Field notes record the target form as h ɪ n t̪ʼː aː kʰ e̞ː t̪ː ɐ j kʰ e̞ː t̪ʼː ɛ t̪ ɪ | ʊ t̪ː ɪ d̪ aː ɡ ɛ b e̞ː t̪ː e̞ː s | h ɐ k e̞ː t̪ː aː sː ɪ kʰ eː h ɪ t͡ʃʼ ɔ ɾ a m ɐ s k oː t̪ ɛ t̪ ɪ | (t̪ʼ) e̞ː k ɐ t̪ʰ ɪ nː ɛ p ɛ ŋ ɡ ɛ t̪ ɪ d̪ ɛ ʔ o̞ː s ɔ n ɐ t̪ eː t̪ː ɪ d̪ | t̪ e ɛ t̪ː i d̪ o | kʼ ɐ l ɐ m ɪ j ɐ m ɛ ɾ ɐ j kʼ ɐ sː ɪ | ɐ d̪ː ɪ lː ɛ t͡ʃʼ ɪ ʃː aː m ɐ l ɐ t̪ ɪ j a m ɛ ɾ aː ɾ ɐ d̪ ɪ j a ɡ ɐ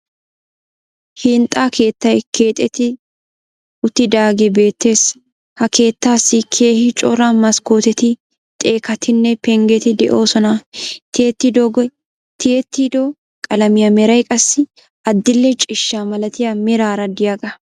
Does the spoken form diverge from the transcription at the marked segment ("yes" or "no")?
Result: no